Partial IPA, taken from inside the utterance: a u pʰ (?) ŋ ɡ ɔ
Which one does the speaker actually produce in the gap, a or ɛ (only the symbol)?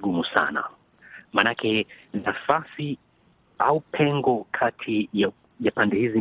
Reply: ɛ